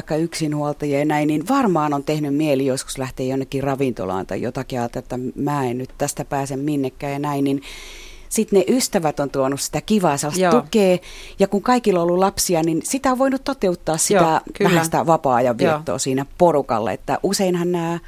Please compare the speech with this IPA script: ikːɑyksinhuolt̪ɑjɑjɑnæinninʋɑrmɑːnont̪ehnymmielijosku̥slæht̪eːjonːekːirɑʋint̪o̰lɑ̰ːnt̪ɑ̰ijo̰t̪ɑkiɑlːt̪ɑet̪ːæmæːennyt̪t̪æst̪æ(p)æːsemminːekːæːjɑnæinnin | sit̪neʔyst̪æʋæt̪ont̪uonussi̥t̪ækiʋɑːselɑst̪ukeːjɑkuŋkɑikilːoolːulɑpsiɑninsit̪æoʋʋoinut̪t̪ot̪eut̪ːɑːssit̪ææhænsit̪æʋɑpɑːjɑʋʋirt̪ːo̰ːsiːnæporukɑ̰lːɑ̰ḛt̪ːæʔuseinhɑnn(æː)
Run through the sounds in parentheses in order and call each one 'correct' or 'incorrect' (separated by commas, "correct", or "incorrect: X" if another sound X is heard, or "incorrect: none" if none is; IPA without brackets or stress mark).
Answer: correct, correct